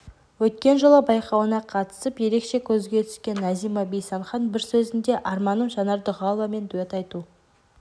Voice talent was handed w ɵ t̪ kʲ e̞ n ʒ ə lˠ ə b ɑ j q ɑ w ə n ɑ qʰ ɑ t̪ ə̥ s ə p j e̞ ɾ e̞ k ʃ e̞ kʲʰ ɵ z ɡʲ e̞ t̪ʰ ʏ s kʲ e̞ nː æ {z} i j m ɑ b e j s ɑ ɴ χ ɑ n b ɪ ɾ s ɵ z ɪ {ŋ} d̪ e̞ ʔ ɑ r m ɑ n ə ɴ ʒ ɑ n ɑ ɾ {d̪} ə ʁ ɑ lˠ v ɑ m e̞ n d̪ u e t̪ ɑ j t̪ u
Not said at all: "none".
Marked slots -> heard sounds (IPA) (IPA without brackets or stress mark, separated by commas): z, n, d̪